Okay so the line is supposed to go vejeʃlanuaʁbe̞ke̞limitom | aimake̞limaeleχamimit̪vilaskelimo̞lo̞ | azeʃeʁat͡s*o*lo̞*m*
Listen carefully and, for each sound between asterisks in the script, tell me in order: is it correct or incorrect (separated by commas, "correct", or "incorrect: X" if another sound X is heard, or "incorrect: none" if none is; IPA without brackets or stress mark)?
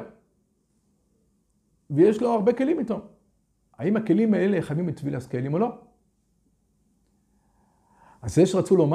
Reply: incorrect: u, correct